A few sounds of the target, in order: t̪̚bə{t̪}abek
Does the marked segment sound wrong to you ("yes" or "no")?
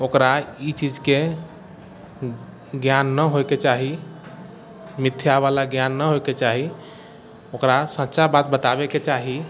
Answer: no